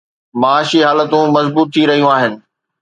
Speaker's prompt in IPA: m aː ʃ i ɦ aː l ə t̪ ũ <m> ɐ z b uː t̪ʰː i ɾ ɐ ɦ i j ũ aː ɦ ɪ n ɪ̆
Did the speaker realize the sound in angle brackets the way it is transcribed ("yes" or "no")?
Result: yes